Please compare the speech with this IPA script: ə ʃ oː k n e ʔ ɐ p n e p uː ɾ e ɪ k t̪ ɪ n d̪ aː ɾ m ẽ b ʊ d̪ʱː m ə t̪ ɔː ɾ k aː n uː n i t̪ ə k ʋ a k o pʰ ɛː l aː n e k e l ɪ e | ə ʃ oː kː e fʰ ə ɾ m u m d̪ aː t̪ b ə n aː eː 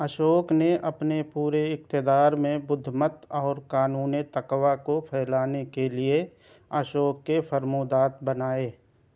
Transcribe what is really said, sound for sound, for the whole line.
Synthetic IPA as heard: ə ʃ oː k n e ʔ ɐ p n e p uː ɾ e ɪ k t̪ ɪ d̪ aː ɾ m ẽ b ʊ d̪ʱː m ə t̪ ɔː ɾ k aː n uː n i t̪ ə k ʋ a k o pʰ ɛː l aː n e k e l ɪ e | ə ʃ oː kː e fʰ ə ɾ m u d̪ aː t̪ b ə n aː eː